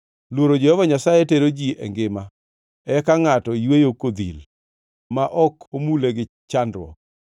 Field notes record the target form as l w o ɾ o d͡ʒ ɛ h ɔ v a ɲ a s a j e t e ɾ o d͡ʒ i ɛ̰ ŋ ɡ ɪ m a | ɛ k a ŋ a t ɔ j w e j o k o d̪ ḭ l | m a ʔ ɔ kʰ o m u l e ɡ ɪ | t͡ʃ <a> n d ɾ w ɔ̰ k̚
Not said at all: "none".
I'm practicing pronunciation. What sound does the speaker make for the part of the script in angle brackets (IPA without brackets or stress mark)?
a